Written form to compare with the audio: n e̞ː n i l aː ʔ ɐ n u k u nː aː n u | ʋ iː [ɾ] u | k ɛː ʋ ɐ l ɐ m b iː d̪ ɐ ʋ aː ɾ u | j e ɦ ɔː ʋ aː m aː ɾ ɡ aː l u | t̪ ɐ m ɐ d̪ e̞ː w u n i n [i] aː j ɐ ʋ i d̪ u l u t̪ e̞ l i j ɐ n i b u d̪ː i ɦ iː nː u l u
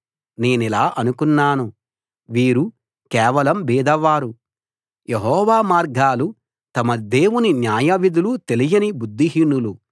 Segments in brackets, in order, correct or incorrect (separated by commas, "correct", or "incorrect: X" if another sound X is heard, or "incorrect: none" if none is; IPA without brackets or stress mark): correct, incorrect: j